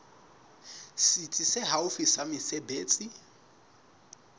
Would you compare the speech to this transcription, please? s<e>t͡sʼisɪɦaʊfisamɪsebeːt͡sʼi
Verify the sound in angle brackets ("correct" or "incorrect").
incorrect